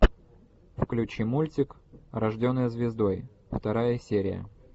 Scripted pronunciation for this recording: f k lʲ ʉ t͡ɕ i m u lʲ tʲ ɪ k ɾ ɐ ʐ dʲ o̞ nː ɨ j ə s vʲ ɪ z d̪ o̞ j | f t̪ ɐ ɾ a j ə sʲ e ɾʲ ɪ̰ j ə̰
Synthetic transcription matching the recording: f k lʲ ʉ t͡ɕ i m u lʲ tʲ ɪ k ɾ ɐ ʐ dʲ o̞ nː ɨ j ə z vʲ ɪ z d̪ o̞ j | f t̪ ɐ ɾ a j ə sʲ e ɾʲ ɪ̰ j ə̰